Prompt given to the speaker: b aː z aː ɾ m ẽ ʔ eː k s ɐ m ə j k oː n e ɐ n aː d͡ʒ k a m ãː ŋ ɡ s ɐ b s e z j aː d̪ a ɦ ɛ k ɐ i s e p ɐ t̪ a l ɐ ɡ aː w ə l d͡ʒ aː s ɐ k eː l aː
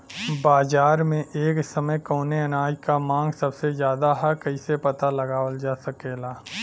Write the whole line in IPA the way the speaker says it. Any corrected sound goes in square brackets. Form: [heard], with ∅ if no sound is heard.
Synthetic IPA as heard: b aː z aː ɾ m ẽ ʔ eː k s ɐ m ə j k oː n e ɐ n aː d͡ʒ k a m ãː ŋ ɡ s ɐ b s e z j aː d̪ a ɦ ɛ k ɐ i s e p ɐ t̪ a l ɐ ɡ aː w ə l d͡ʒ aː s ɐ k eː l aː